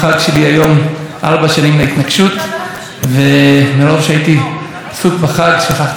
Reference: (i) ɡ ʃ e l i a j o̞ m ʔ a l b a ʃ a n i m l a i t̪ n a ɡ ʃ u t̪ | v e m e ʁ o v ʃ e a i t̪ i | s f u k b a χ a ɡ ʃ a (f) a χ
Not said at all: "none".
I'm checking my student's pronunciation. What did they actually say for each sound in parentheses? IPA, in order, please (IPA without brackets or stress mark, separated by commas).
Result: a, χ